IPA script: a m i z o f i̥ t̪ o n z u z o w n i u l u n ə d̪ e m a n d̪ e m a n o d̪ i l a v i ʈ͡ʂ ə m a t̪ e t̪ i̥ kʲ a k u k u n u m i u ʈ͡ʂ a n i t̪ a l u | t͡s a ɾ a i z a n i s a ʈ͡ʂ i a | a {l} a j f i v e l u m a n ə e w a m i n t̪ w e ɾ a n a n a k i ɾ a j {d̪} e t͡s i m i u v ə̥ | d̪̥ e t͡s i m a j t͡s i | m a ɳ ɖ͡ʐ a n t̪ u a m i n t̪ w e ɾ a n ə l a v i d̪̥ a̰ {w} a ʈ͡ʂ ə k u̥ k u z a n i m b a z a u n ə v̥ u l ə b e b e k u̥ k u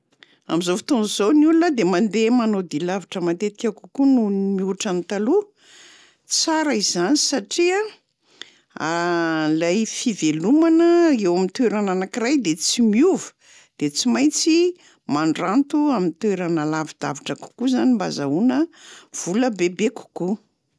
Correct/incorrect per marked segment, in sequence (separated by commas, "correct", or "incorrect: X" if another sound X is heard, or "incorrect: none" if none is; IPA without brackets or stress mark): correct, correct, incorrect: v